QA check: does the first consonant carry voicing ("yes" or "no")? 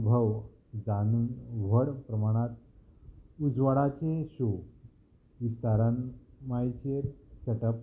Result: yes